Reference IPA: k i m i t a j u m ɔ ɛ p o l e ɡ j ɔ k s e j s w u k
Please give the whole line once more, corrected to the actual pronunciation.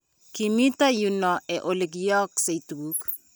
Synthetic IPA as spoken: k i m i t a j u n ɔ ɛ ʔ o l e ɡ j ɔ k s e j t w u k

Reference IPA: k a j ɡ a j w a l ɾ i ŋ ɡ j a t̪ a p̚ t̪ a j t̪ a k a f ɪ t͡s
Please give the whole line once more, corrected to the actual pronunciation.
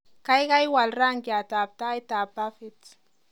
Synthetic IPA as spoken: k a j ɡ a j w a l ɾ a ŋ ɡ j a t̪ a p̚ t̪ a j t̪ a p a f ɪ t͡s

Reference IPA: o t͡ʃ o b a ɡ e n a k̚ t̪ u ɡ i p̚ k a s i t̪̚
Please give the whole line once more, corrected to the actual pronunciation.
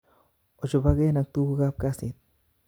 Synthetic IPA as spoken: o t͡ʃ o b a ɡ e n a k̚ t̪ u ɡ a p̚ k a s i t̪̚

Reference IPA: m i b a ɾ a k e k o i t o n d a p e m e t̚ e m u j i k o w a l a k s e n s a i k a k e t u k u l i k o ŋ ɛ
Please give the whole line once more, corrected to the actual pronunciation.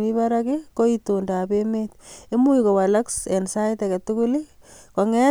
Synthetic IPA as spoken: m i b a ɾ a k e k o i t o n d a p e m e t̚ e m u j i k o w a l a k s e n s a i t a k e t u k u l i k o ŋ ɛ

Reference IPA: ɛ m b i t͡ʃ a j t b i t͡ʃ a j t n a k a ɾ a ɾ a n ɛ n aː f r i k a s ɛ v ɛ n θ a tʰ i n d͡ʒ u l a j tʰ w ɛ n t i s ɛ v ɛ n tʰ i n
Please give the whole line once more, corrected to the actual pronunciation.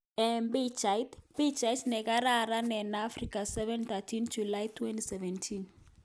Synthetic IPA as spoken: ɛ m b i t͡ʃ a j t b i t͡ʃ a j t n ɛ k a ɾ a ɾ a n ɛ n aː f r i k a s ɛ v ɛ n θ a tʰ i n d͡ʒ u l a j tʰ w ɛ n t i s ɛ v ɛ n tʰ i n

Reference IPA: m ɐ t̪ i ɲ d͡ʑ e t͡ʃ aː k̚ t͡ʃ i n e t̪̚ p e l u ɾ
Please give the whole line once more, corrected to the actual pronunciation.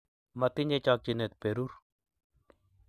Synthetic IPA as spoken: m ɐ t̪ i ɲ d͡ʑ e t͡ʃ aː k̚ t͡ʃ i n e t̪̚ p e ɾ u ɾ

